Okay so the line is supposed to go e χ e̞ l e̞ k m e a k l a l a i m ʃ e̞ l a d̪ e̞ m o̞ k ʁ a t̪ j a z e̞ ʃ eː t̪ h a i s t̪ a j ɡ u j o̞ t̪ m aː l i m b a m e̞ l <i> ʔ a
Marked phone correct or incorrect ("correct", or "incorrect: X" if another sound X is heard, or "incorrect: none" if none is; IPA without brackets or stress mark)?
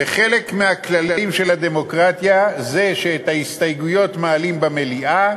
correct